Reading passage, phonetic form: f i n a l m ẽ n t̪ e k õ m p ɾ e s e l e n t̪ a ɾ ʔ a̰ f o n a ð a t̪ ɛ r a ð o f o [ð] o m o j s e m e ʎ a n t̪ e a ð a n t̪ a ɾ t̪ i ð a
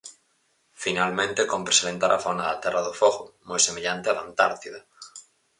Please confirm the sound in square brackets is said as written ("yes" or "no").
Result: no